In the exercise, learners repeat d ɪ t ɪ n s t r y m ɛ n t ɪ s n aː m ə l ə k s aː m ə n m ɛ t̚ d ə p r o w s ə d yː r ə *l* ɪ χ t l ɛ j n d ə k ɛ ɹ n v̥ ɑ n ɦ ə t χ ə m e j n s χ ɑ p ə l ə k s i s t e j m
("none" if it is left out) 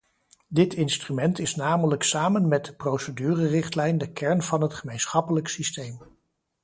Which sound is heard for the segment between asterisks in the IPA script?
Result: r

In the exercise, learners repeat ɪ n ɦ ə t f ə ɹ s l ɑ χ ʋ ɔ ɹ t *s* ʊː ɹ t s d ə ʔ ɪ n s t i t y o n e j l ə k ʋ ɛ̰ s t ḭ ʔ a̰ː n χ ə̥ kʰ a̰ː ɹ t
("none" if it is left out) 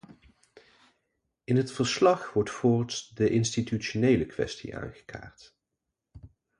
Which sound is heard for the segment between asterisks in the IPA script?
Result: f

